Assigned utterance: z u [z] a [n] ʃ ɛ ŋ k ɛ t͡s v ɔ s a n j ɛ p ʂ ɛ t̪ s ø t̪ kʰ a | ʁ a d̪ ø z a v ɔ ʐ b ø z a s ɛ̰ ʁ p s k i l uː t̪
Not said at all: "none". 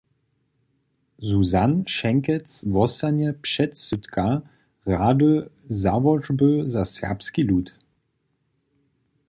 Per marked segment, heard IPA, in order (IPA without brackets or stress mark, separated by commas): z, n